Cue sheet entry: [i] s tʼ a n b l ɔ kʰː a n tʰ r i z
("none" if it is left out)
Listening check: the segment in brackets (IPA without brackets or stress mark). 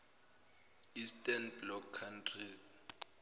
i